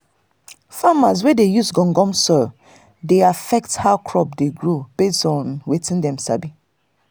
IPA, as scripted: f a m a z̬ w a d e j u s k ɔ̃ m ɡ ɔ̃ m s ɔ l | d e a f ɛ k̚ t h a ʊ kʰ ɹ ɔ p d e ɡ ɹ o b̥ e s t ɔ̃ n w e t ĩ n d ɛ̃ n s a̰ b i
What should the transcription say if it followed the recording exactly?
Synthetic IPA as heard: f a m a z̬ w ɛ d e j u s ɡ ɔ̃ ŋ ɡ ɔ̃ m s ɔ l | d e a f ɛ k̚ t h a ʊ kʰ ɹ ɔ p d e ɡ ɹ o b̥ e s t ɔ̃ n w e t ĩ n d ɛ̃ m s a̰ b i